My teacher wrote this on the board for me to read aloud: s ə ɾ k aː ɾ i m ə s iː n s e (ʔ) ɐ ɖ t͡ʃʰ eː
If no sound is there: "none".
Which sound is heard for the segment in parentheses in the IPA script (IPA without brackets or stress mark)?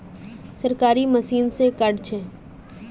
k